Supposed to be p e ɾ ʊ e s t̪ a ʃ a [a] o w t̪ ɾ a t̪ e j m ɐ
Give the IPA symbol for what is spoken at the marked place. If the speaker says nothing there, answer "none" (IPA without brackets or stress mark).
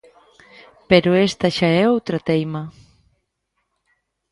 ɛ